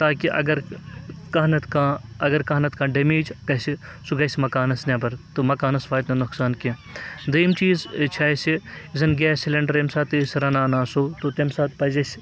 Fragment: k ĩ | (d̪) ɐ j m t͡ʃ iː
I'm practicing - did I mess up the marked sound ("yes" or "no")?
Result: no